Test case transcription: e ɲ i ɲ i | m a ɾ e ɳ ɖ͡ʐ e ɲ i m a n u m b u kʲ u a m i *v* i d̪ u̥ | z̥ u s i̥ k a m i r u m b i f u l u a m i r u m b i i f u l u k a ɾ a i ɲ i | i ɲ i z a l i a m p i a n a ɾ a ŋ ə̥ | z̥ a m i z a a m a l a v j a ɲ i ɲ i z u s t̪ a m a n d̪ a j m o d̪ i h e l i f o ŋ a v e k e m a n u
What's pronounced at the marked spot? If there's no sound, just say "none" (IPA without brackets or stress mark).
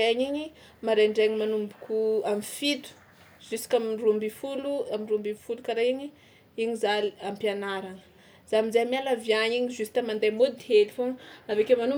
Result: f